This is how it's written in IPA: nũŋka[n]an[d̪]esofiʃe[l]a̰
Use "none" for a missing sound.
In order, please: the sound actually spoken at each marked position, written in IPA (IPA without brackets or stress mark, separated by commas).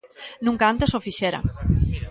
none, t̪, ɾ